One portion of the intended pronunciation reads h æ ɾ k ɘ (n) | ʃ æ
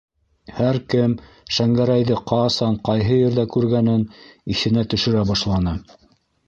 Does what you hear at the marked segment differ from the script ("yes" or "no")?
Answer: yes